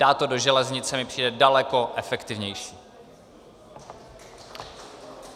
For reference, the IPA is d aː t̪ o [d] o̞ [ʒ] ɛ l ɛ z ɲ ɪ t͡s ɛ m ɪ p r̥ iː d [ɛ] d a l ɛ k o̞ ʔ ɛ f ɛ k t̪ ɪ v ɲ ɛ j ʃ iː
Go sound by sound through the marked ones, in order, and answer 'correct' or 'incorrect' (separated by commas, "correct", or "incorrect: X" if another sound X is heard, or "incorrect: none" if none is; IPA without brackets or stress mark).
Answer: correct, correct, correct